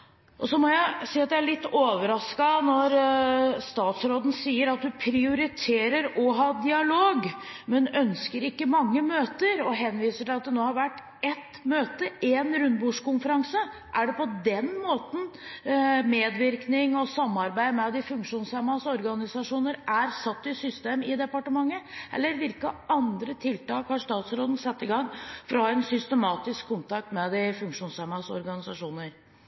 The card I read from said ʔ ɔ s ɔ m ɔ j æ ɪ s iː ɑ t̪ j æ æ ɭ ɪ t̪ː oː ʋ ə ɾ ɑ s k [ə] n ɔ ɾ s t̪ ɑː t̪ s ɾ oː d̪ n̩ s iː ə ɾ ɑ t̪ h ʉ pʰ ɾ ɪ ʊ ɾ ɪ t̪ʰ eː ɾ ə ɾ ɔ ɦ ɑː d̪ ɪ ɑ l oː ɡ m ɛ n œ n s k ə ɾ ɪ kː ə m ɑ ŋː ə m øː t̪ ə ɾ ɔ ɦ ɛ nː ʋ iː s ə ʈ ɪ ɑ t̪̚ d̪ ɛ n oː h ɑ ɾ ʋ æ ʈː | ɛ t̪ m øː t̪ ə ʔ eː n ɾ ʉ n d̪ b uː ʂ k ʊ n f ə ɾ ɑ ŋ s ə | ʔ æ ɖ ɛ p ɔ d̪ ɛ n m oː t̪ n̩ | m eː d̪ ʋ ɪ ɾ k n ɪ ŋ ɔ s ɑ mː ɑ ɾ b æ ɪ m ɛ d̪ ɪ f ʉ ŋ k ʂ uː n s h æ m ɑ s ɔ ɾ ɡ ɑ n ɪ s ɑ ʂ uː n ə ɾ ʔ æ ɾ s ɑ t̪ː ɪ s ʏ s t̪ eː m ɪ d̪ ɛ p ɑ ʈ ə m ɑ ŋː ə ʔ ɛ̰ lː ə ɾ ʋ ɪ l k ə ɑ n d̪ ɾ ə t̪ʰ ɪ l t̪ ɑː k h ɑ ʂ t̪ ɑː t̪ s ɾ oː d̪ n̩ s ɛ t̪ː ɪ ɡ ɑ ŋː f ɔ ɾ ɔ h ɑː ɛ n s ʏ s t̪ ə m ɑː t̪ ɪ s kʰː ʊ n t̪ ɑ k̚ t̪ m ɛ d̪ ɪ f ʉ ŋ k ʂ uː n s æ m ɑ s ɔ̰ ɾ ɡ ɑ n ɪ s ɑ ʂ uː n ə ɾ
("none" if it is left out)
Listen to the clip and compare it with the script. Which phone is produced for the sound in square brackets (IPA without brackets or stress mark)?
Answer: ɑ